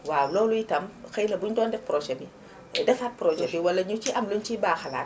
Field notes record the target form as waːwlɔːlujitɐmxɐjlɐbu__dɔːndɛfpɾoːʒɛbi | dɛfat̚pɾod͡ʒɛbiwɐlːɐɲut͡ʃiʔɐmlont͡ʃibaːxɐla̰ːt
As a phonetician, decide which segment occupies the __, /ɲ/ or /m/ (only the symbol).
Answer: ɲ